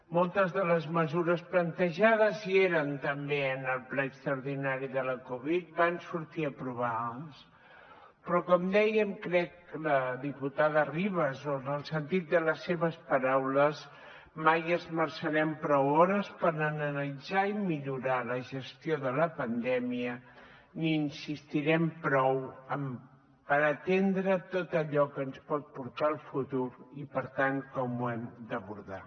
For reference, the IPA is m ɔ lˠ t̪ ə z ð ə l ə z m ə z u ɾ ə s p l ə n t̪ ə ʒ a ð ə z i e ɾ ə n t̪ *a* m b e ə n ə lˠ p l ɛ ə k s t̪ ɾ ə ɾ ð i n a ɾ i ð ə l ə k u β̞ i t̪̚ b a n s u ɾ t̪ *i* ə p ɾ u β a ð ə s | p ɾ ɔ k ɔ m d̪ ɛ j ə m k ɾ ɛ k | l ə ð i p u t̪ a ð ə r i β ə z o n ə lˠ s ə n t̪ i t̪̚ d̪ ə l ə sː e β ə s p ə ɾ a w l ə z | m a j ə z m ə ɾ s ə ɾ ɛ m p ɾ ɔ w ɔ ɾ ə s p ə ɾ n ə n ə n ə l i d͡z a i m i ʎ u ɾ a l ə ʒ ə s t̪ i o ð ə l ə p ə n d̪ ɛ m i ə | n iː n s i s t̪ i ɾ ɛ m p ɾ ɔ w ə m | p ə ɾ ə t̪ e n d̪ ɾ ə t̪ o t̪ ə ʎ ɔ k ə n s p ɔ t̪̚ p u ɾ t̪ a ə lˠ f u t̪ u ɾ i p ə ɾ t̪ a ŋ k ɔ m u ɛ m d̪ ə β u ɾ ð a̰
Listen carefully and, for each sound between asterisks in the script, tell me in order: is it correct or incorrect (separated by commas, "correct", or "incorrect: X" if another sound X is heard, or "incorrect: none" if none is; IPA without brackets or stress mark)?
incorrect: ə, correct